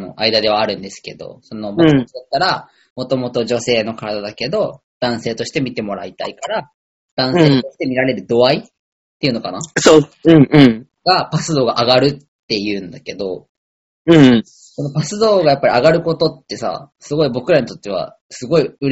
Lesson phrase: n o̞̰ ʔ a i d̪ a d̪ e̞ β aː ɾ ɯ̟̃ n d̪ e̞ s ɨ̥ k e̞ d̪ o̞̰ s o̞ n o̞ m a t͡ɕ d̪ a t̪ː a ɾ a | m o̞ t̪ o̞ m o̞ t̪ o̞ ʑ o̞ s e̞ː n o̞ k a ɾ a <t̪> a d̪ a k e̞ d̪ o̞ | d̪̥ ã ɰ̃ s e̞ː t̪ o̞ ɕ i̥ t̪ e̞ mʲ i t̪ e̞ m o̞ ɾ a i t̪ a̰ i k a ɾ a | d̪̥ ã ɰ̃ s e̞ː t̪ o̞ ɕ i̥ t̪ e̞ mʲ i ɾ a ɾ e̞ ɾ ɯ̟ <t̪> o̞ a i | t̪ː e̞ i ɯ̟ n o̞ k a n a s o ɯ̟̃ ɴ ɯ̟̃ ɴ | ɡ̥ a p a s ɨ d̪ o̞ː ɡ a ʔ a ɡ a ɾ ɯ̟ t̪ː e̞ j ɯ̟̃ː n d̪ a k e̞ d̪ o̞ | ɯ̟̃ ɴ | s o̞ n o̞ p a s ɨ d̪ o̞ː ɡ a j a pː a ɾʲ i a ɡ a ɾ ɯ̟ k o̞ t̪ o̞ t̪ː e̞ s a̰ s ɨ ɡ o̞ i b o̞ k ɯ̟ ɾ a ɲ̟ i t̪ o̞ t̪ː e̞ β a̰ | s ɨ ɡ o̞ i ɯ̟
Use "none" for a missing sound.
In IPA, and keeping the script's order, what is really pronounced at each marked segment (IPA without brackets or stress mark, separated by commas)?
d̪, d̪